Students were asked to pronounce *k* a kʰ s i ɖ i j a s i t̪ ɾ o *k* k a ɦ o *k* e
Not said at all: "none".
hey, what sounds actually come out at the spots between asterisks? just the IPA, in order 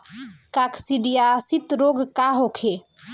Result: k, ɡ, kʰ

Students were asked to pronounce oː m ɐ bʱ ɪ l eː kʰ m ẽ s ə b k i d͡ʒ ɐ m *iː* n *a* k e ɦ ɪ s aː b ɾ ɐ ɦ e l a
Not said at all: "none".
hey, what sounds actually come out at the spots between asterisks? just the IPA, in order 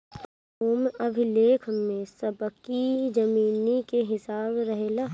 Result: iː, i

